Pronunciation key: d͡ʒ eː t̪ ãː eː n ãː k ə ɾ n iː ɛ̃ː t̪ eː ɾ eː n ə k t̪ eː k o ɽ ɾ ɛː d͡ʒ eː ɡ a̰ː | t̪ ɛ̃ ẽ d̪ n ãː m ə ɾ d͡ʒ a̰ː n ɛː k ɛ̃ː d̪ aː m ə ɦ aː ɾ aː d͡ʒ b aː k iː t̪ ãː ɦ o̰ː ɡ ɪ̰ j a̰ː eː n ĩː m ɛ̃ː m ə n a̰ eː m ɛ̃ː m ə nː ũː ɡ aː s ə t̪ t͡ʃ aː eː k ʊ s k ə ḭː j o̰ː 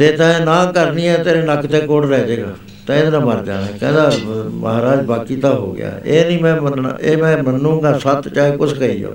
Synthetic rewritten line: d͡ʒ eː t̪ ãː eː n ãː k ə ɾ n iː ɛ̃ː t̪ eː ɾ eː n ə k t̪ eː k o ɽ ɾ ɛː d͡ʒ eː ɡ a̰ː | t̪ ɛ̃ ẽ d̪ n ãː m ə ɾ d͡ʒ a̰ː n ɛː k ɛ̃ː d̪ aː m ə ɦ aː ɾ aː d͡ʒ b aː k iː t̪ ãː ɦ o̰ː ɡ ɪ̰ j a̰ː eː n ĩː m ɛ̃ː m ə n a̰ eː m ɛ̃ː m ə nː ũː ɡ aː s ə t̪ t͡ʃ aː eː k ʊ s k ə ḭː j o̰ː